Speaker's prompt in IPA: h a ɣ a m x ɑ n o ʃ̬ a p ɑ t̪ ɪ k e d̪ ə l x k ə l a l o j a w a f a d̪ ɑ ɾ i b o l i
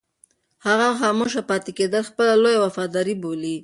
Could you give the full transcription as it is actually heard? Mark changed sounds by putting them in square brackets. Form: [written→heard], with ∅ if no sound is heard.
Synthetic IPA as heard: h a ɣ a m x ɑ [n→m] o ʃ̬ a p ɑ t̪ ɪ k e d̪ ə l x [k→p] ə l a l o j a w a f [a→ɑ] d̪ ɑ ɾ i b o l i